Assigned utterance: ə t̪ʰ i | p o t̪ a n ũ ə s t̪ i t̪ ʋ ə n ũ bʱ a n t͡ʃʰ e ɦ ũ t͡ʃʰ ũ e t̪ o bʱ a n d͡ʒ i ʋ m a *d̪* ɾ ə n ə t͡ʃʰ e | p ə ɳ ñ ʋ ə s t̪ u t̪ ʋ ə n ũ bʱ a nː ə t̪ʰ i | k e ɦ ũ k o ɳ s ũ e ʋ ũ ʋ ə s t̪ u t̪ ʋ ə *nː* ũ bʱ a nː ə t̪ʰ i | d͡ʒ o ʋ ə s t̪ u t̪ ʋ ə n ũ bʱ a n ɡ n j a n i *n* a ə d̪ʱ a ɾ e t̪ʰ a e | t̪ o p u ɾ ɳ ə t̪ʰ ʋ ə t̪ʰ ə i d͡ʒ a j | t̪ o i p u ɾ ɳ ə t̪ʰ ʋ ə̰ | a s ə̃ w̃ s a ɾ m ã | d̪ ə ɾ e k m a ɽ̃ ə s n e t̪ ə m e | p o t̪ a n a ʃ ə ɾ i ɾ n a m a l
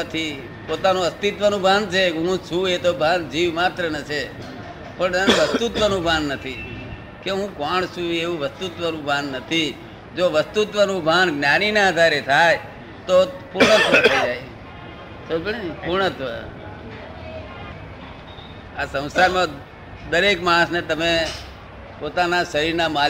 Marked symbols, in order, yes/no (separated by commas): no, no, yes